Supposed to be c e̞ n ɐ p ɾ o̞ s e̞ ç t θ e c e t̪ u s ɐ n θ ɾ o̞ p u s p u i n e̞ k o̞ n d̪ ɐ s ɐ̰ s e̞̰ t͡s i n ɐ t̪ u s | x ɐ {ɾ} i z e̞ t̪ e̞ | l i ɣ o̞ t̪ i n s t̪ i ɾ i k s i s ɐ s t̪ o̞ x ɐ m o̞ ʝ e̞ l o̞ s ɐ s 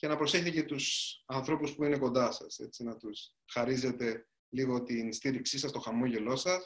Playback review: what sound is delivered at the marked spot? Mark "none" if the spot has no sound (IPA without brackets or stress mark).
ɾ